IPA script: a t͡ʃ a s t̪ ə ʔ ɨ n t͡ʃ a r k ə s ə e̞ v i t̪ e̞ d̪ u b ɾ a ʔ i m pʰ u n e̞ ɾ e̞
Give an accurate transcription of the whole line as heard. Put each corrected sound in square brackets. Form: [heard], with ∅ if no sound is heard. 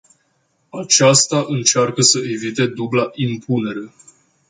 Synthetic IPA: a t͡ʃ a s t̪ [a] ʔ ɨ n t͡ʃ a r k ə s ə e̞ v i t̪ e̞ d̪ u b [l] a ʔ i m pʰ u n e̞ ɾ e̞

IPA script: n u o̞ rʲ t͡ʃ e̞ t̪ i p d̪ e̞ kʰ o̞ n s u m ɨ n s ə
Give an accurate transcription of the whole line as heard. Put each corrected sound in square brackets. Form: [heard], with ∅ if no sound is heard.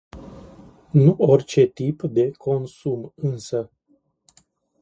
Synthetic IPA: n u o̞ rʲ t͡ʃ e̞ t̪ i p d̪ e̞ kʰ o̞ n s u m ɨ n s ə

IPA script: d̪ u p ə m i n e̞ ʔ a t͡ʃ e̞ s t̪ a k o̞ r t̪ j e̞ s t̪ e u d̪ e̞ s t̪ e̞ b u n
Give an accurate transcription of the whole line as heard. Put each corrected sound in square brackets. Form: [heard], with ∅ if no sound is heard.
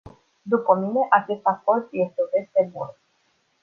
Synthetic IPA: d̪ u p ə m i n e̞ ʔ a t͡ʃ e̞ s t̪ a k o̞ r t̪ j e̞ s t̪ e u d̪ e̞ s t̪ e̞ b u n

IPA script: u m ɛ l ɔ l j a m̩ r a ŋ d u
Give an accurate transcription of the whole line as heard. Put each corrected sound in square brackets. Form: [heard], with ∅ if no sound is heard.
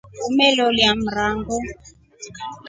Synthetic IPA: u m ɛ l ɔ l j a m̩ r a ŋ [ɡ] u

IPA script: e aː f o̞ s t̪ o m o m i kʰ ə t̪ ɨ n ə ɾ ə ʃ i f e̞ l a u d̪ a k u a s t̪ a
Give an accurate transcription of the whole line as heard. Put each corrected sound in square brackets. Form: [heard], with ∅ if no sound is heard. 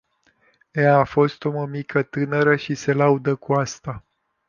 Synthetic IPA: e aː f o̞ s t̪ o m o m i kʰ ə t̪ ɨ n ə ɾ ə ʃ i [s] e̞ l a u d̪ [ə] k u a s t̪ a

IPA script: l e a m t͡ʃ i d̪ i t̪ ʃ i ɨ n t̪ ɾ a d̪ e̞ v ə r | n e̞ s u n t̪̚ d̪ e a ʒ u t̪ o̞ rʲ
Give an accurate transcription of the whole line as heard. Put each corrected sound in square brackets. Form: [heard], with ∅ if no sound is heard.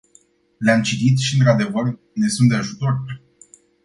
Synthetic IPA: l e a m t͡ʃ i [t̪] i t̪ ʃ i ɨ n t̪ ɾ a d̪ e̞ v ə r | n e̞ s u n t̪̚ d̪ e a ʒ u t̪ o̞ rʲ

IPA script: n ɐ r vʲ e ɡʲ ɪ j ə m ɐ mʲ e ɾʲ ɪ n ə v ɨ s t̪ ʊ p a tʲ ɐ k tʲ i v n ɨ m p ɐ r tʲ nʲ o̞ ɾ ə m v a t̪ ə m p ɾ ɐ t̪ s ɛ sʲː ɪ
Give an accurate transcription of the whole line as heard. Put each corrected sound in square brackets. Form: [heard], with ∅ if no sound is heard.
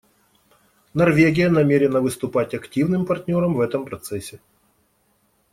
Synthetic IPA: n ɐ r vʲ e ɡʲ ɪ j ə [n] ɐ mʲ e ɾʲ ɪ n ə v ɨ s t̪ ʊ p a tʲ ɐ k tʲ i v n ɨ m p ɐ r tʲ nʲ o̞ ɾ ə m v [ɛ] t̪ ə m p ɾ ɐ t̪ s ɛ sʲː ɪ

